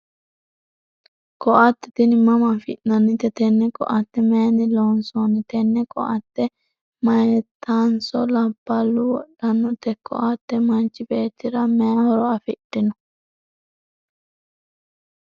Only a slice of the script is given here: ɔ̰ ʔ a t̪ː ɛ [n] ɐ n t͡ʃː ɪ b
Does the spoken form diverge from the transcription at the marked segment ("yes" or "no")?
yes